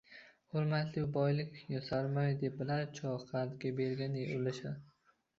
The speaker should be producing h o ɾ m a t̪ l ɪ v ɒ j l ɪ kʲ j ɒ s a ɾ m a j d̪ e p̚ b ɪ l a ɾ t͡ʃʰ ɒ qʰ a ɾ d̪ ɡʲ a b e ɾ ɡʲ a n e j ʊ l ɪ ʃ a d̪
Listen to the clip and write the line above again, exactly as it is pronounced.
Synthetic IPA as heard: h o ɾ m a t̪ l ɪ b ɒ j l ɪ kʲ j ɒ s a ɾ m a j d̪ e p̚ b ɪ l a ɾ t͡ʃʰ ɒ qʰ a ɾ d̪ ɡʲ a b e ɾ ɡʲ a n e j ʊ l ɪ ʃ a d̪